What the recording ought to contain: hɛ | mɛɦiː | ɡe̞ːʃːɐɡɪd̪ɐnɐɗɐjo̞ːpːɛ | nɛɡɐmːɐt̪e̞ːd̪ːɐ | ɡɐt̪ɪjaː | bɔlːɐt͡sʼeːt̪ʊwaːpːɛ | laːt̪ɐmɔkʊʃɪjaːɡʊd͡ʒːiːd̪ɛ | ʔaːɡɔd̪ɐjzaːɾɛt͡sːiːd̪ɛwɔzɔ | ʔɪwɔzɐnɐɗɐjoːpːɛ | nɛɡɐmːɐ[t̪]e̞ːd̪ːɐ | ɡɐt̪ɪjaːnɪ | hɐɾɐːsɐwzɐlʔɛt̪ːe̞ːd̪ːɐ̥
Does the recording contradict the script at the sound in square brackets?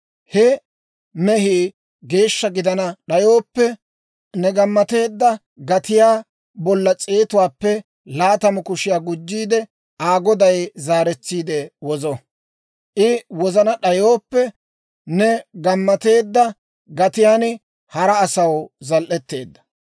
no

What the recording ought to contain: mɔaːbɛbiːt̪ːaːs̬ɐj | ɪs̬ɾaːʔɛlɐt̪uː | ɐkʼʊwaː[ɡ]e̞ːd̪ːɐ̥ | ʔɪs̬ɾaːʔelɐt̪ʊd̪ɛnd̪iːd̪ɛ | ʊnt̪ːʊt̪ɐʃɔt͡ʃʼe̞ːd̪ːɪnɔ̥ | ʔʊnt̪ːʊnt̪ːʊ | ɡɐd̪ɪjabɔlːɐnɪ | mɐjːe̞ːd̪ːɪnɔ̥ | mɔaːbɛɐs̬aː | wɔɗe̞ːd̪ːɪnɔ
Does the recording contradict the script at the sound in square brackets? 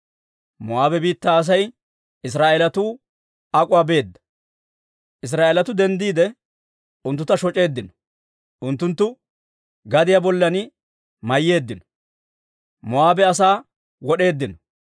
yes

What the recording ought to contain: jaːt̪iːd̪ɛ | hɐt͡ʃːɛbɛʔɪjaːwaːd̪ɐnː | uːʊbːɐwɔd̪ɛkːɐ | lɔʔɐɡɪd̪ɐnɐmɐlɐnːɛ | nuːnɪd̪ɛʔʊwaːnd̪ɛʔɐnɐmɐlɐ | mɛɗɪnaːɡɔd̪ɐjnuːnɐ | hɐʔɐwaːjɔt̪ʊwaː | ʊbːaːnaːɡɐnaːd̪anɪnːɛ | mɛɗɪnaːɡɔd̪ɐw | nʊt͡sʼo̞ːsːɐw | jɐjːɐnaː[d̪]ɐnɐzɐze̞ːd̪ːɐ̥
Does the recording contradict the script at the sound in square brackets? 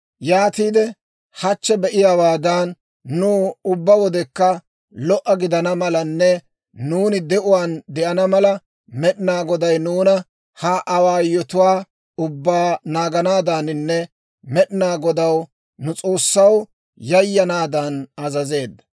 no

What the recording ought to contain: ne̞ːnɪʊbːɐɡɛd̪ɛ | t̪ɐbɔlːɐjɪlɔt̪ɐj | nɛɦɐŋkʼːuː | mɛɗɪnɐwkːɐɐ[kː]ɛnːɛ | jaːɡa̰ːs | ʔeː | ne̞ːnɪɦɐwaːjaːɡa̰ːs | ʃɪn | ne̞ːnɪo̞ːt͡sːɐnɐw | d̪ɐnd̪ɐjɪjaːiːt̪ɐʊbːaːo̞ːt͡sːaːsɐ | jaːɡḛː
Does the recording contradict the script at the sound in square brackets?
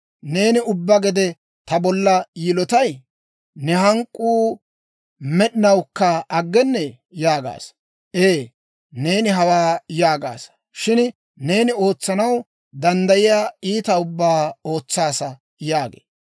yes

